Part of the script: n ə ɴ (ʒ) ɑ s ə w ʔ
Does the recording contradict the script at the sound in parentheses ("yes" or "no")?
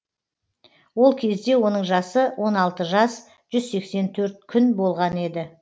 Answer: no